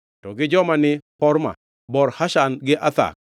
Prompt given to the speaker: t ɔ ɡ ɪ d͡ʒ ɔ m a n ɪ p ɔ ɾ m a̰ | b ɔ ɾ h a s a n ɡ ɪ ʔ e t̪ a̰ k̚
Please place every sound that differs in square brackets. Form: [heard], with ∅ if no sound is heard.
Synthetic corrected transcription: t ɔ ɡ ɪ d͡ʒ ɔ m a n ɪ p ɔ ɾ m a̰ | b ɔ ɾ h a [ʃ] a n ɡ ɪ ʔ [a] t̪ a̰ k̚